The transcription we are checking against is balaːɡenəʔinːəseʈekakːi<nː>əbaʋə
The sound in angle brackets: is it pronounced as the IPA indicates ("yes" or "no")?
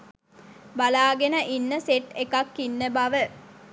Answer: yes